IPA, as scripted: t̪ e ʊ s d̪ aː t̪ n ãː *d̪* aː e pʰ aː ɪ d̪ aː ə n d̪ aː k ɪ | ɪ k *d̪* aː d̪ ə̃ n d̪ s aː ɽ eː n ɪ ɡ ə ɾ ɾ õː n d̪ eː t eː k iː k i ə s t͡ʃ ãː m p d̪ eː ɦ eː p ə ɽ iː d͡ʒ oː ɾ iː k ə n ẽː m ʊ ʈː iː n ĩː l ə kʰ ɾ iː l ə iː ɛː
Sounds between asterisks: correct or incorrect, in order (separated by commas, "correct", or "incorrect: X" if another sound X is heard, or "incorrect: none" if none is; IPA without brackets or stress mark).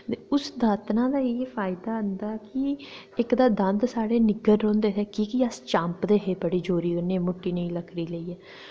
correct, correct